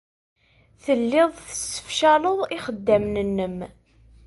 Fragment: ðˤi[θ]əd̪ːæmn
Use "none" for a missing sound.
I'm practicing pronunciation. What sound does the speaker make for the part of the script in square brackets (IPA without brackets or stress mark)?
χ